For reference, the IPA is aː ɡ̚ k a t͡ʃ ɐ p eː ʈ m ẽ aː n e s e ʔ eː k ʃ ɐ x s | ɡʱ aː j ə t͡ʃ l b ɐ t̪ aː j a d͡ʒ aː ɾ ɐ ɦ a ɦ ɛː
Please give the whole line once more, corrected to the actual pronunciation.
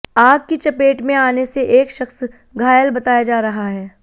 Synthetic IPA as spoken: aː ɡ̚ k i t͡ʃ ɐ p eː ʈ m ẽ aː n e s e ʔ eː k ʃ ɐ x s | ɡʱ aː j ə l b ɐ t̪ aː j a d͡ʒ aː ɾ ɐ ɦ a ɦ ɛː